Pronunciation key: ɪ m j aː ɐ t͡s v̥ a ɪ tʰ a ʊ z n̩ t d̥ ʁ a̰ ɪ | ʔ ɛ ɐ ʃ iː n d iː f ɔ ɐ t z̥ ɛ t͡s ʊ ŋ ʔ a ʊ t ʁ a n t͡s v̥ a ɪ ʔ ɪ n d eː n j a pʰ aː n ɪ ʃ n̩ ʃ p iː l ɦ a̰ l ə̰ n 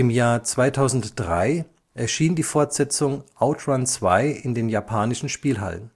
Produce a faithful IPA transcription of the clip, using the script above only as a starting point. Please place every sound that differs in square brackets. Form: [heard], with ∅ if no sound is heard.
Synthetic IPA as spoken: ɪ m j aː ɐ t͡s v̥ a ɪ tʰ a ʊ z n̩ t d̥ ʁ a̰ ɪ | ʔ ɛ ɐ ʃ iː n d iː f ɔ ɐ t z̥ ɛ t͡s ʊ ŋ ʔ a ʊ t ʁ a n t͡s v̥ a ɪ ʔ ɪ n d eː n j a pʰ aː n ɪ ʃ n̩ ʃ p iː l ɦ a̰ l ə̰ n

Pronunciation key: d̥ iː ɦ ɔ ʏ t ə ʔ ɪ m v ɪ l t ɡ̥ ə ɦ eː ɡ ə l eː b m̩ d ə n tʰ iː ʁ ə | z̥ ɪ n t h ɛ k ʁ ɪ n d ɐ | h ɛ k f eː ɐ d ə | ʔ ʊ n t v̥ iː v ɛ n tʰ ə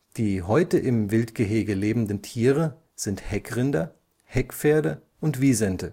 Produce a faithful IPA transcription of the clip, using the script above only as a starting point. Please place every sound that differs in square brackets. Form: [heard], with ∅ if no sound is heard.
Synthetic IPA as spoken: d̥ iː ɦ ɔ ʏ t ə ʔ ɪ m v ɪ l t ɡ̥ ə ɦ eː ɡ ə l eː b m̩ d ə n tʰ iː ʁ ə | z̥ ɪ n t h ɛ k ʁ ɪ n d ɐ | h ɛ k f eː ɐ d ə | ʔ ʊ n t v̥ iː [z] ɛ n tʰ ə

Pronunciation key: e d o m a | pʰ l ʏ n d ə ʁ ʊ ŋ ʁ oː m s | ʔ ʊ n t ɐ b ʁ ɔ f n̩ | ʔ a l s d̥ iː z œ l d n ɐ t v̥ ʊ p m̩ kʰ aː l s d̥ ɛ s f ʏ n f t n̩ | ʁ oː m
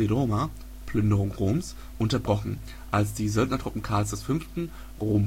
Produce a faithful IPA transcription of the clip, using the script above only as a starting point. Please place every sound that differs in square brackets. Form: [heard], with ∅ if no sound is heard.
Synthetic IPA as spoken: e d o m a | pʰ l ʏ n d ə ʁ ʊ ŋ ʁ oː m s | ʔ ʊ n t ɐ b ʁ ɔ [χ] n̩ | ʔ a l s d̥ iː z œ l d n ɐ t [ʁ̥] ʊ p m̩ kʰ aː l s d̥ ɛ s f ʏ n f t n̩ | ʁ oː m

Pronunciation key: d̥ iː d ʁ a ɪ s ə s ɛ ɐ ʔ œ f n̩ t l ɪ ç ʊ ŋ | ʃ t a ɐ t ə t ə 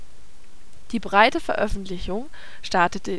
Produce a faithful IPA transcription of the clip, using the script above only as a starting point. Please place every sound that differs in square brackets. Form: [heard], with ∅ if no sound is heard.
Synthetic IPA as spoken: d̥ iː [b] ʁ a ɪ [t] ə [f] ɛ ɐ ʔ œ f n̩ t l ɪ ç ʊ ŋ | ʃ t a ɐ t ə t ə

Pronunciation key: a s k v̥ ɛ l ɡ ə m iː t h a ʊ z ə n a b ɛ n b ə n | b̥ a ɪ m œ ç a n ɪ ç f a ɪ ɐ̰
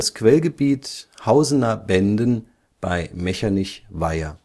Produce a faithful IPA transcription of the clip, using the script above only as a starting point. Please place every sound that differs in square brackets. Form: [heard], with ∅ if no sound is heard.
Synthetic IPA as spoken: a s k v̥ ɛ l ɡ ə [b] iː t h a ʊ z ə n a b ɛ n [d] ə n | b̥ a ɪ m [ɛ] ç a n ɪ ç [v] a ɪ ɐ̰

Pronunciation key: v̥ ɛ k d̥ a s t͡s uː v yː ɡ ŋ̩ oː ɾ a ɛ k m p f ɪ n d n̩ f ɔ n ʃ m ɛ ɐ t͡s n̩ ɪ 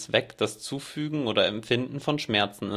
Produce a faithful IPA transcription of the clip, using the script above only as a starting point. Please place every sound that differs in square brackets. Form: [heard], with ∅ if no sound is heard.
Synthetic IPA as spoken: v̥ ɛ k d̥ a s t͡s uː [f] yː ɡ ŋ̩ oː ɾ [ɐ] ɛ [∅] m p f ɪ n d n̩ f ɔ n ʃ m ɛ ɐ t͡s n̩ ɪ

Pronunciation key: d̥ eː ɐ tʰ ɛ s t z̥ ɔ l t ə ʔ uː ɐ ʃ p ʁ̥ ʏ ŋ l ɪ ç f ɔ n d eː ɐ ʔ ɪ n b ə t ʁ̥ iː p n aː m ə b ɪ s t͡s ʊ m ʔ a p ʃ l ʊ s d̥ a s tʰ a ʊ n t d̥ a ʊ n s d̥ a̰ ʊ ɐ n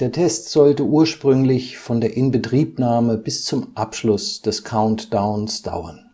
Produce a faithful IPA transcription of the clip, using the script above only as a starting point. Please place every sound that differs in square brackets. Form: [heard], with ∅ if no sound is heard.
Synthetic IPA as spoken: d̥ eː ɐ tʰ ɛ s t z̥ ɔ l t ə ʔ uː ɐ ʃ p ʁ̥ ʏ ŋ l ɪ ç f ɔ n d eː ɐ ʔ ɪ n b ə t ʁ̥ iː p n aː m ə b ɪ s t͡s ʊ m ʔ a p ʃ l ʊ s d̥ [ɛ] s [kʰ] a ʊ n t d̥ a ʊ n s d̥ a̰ ʊ ɐ n

